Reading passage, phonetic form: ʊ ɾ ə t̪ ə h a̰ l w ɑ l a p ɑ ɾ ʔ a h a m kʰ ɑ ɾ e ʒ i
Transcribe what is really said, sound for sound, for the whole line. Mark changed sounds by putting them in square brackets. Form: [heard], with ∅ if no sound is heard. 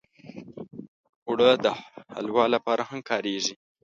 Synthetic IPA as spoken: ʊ [ɽ] ə [d̪] ə h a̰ l w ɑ l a p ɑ ɾ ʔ a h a m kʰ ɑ ɾ e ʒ i